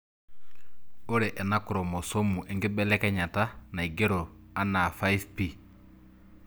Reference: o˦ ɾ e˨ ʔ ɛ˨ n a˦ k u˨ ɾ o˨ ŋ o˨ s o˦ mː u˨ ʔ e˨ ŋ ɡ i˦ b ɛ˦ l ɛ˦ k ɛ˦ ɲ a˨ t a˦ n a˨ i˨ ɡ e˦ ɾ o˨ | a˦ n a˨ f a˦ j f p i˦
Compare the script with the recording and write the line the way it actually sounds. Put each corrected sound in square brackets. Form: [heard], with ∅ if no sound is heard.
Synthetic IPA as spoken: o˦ ɾ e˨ ʔ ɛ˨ n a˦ k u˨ ɾ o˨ [m] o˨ s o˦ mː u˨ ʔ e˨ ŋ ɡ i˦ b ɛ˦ l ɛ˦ k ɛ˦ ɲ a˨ t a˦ n a˨ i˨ ɡ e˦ ɾ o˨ | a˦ n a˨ f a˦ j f p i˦